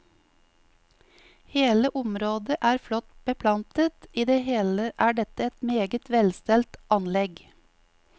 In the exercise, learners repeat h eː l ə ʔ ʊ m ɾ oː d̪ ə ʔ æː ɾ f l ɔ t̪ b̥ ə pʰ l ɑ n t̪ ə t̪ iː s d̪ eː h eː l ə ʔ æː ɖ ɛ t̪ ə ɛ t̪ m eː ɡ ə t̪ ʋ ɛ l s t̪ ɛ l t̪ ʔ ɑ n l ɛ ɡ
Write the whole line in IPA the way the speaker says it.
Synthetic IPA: h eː l ə ʔ ʊ m ɾ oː d̪ ə ʔ æː ɾ f l ɔ t̪ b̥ ə pʰ l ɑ n t̪ ə t̪ iː d̪ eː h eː l ə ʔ æː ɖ ɛ t̪ ə ɛ t̪ m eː ɡ ə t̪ ʋ ɛ l s t̪ ɛ l t̪ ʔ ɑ n l ɛ ɡ